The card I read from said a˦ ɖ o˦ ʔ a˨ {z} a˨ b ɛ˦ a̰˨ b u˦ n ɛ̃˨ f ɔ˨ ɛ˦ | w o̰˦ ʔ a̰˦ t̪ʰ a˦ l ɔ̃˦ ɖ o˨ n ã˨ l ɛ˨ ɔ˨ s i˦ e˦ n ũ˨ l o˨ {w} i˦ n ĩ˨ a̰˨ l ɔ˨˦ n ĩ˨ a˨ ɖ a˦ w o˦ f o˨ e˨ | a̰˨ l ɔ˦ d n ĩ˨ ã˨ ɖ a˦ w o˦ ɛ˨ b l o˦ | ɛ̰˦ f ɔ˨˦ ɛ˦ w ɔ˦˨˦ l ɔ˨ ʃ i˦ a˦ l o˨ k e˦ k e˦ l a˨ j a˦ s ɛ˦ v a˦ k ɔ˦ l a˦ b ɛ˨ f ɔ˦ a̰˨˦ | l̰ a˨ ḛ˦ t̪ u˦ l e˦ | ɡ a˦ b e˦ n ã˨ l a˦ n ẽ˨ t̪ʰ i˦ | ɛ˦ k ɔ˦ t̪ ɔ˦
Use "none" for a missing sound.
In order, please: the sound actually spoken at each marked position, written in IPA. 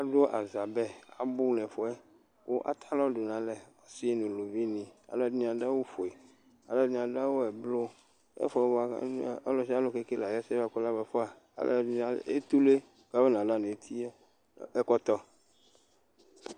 z, v

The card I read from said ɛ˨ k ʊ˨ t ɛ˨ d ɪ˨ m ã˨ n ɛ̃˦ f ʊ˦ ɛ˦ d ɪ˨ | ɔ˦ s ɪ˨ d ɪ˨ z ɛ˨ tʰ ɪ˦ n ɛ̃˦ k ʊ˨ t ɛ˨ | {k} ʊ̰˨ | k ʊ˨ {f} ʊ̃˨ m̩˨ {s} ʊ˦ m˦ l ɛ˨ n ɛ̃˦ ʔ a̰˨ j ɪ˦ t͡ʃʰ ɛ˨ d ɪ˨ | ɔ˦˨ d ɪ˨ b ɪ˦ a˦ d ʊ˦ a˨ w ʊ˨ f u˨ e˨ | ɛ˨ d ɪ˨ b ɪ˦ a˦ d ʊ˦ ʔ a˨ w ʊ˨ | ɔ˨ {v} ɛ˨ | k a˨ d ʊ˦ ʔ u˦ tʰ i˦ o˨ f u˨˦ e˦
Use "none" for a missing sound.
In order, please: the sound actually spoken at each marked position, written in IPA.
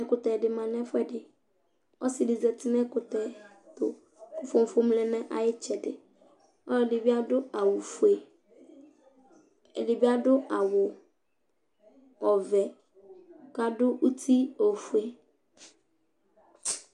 t, f, f, v

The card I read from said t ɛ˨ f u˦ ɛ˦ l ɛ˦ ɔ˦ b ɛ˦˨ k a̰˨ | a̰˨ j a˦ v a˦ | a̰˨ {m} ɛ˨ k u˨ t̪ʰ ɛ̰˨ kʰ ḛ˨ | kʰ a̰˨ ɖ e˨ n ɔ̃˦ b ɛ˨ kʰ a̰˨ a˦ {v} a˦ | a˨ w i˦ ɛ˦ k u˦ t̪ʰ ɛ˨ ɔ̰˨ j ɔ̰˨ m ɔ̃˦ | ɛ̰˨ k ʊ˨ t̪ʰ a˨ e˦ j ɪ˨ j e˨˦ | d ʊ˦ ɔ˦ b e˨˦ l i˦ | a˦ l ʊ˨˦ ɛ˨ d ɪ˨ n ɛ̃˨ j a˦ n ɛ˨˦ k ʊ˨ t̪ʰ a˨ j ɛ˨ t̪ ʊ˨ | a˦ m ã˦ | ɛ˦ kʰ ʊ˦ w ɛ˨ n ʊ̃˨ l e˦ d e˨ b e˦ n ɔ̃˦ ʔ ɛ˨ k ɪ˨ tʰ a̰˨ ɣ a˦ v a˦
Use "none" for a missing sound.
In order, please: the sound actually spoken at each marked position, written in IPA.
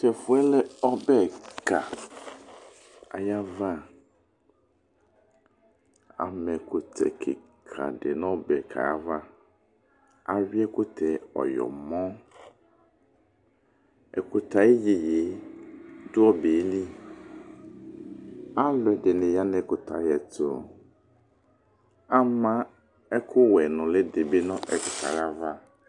m, v

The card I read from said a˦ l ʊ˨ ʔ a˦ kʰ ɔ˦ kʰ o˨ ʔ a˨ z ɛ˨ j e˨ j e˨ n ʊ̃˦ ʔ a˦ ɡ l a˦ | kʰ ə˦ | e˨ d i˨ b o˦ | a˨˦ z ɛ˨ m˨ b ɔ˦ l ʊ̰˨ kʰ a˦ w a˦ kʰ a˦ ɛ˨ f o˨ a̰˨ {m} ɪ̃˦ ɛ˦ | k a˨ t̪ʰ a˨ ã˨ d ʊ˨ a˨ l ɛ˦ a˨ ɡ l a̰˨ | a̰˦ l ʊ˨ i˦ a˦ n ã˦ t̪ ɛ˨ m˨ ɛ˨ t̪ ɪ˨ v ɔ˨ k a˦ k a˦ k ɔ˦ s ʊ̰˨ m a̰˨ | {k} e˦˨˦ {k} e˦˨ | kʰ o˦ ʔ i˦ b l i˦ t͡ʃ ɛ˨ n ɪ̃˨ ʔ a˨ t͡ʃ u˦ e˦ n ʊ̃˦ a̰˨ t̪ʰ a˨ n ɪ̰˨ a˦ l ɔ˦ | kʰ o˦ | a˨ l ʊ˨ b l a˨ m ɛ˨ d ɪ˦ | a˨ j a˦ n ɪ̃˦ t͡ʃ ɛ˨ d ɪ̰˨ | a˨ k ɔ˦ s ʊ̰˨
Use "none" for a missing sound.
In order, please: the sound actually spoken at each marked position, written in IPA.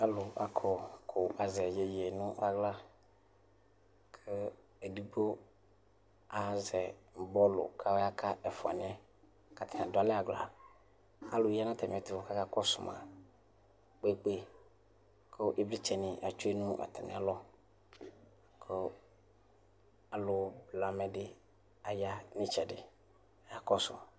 n, k͡p, k͡p

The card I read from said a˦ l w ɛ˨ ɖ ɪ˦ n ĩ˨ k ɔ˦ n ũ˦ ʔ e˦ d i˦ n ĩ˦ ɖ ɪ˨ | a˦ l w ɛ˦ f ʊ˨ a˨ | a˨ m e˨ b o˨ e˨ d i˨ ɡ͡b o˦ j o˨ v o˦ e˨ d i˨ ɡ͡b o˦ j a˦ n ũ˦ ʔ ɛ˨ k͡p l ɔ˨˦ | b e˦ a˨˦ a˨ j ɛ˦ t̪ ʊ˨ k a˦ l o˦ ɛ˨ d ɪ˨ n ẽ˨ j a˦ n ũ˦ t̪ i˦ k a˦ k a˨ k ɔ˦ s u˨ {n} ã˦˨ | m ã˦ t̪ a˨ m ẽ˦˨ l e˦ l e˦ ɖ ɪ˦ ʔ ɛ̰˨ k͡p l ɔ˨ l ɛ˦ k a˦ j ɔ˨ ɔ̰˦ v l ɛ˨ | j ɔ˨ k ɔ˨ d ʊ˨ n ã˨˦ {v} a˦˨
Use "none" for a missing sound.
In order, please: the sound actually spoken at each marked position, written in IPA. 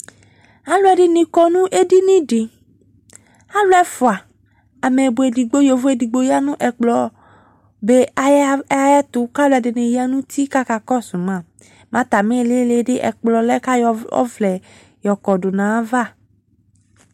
m, v

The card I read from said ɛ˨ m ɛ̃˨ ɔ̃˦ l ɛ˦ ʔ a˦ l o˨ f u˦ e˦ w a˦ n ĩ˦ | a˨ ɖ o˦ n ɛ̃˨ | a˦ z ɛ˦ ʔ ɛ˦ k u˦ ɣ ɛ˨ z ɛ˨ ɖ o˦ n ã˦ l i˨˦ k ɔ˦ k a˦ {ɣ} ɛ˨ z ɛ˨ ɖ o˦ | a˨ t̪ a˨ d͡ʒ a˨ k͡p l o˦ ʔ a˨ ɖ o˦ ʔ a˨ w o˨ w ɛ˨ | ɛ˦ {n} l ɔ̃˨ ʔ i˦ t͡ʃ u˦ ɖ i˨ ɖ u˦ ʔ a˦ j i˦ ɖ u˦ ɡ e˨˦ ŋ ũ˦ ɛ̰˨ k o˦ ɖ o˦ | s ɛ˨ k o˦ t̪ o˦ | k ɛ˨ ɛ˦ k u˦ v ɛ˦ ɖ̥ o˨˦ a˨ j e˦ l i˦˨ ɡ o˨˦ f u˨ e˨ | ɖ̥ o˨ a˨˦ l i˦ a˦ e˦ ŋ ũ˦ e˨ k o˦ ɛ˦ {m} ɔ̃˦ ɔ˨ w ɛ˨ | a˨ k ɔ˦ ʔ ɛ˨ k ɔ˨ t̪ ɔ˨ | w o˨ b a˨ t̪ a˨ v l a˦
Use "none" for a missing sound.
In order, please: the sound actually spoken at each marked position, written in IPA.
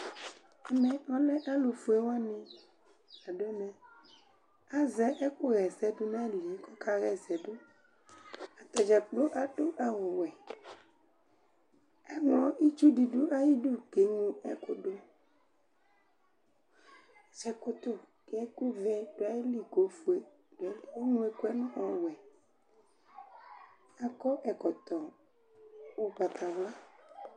ɣ, ŋ, n

